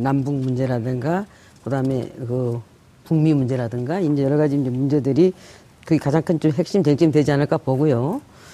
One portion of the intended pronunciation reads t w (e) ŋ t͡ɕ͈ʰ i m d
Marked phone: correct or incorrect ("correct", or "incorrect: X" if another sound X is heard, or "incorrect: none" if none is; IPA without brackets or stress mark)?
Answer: correct